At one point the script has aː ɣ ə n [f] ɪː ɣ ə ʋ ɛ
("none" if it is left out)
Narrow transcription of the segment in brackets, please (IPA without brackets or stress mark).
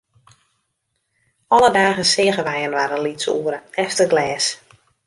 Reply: s